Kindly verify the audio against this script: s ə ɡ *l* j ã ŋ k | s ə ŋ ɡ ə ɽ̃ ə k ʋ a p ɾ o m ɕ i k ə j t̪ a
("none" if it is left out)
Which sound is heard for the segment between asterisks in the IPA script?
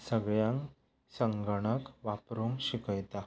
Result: ɭ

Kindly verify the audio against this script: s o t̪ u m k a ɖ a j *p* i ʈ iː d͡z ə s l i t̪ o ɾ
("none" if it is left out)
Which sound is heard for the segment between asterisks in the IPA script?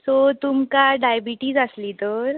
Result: b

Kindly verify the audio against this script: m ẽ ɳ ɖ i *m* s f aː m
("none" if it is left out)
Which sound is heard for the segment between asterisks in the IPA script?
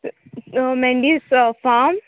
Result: none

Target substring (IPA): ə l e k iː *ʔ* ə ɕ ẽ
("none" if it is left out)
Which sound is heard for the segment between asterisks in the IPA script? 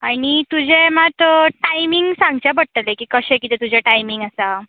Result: k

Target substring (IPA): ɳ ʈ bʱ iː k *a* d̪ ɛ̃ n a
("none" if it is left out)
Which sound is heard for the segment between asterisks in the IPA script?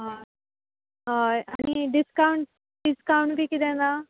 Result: i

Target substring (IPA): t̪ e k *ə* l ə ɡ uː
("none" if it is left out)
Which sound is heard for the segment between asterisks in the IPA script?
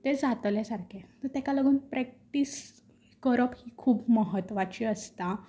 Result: a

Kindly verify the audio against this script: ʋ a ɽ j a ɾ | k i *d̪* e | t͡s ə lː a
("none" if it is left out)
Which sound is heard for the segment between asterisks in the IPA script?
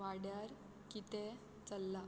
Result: t̪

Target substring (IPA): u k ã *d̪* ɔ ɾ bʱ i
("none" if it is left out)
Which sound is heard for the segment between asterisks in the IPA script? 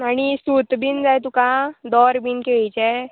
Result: d̪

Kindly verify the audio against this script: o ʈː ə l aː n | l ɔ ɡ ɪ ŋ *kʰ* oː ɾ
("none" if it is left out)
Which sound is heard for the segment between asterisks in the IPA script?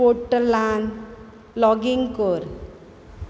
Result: k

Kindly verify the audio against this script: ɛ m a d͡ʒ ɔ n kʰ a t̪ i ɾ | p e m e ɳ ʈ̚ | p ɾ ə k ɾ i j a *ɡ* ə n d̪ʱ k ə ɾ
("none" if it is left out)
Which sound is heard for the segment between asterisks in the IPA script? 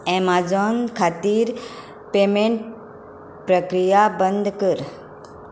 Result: b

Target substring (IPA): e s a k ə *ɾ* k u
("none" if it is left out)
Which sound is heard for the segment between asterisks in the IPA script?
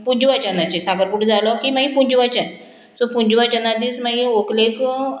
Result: ɾ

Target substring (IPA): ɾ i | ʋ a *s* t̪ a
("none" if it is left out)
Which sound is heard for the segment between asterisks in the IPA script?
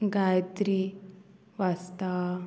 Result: s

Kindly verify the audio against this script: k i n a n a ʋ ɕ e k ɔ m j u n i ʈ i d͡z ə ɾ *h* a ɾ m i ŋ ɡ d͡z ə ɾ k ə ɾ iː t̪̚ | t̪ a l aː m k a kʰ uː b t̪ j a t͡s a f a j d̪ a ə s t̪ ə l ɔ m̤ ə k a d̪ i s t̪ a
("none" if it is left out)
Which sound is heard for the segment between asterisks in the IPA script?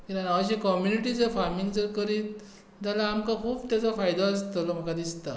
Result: f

